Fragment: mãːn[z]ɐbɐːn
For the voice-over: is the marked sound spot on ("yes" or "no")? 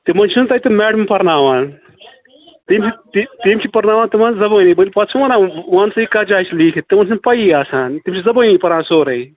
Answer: yes